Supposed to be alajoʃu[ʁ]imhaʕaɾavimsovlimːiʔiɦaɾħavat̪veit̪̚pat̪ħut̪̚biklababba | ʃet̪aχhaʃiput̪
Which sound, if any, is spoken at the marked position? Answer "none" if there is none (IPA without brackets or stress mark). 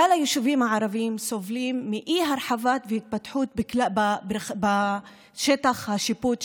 v